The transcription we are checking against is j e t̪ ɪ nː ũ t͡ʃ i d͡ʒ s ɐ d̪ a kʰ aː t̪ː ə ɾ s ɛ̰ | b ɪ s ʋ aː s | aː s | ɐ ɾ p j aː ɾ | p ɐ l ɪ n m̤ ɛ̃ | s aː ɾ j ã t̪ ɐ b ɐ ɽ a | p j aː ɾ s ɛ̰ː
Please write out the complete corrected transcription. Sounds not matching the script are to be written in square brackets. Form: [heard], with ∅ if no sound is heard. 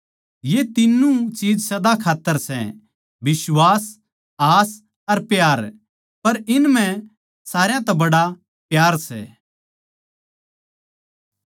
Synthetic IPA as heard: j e t̪ ɪ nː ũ t͡ʃ [iː] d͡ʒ s ɐ d̪ a kʰ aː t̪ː ə ɾ s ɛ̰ | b ɪ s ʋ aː s | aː s | ɐ ɾ p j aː ɾ | p ɐ [ɾ] ɪ n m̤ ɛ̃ | s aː ɾ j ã t̪ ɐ b ɐ ɽ a | p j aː ɾ s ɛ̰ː